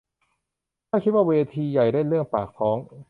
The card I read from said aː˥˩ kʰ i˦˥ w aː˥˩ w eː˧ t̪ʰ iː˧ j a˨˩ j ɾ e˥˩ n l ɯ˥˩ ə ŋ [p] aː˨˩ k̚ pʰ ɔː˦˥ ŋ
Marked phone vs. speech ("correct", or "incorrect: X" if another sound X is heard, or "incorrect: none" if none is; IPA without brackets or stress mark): correct